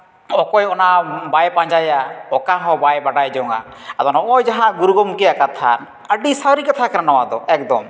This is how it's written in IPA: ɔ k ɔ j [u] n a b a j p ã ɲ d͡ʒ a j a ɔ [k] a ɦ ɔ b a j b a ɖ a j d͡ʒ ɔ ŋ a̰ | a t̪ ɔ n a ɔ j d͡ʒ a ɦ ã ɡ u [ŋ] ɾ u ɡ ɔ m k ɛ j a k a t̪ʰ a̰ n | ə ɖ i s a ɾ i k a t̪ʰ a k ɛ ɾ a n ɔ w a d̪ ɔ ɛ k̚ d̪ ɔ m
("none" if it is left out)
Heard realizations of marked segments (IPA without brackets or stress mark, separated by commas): ɔ, k, none